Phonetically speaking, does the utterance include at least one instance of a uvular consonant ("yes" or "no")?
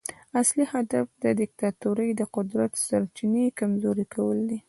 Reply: yes